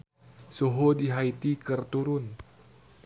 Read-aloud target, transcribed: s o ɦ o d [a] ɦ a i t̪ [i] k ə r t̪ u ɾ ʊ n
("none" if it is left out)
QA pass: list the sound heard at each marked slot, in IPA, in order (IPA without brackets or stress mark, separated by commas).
i, i